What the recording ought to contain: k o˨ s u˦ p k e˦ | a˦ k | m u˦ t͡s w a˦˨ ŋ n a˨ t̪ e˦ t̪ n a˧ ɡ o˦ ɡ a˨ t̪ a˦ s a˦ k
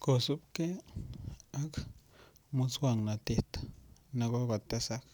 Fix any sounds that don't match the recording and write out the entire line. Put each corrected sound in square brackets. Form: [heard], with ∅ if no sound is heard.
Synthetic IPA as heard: k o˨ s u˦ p k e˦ | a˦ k | m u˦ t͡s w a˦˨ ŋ n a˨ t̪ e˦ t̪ n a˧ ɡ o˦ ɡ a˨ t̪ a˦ s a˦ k